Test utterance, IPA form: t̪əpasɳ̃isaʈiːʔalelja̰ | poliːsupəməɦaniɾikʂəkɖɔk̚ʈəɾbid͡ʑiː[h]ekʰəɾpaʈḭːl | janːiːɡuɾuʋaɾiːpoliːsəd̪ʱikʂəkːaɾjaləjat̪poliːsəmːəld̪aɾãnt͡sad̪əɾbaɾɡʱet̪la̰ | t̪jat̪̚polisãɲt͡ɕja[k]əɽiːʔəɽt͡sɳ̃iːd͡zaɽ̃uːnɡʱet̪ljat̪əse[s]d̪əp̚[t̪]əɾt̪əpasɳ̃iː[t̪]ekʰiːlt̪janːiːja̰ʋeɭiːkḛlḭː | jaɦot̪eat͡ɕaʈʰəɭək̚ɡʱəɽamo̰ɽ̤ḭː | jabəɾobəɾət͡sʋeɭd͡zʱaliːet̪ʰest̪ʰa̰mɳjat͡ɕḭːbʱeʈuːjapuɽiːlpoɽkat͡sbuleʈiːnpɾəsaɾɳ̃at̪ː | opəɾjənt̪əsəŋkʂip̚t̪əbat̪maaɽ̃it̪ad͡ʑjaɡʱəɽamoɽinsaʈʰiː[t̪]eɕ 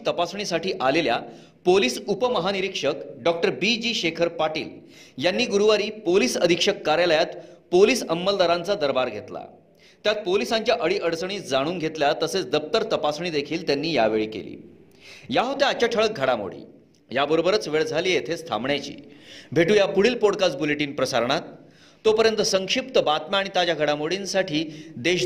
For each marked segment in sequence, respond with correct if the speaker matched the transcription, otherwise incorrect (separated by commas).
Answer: incorrect, incorrect, incorrect, correct, incorrect, incorrect